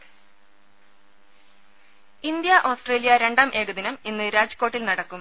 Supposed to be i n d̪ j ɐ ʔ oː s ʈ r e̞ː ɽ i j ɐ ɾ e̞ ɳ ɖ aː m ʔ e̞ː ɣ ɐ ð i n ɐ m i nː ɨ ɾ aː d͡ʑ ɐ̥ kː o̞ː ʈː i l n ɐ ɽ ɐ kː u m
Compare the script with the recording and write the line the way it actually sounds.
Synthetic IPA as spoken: i n d̪ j ɐ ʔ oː s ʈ r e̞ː l i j ɐ ɾ e̞ ɳ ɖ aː m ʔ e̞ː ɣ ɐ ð i n ɐ m i nː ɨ ɾ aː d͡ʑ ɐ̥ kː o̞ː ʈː i l n ɐ ɽ ɐ kː u m